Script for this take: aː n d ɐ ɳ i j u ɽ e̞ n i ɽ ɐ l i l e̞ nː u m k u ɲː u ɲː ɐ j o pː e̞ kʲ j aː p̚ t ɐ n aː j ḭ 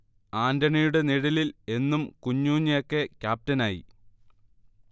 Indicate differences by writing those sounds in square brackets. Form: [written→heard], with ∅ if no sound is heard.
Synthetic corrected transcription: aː n d ɐ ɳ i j u ɽ e̞ n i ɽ ɐ l i l e̞ nː u m k u ɲː [u→uː] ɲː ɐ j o [pː→kː] e̞ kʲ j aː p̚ t ɐ n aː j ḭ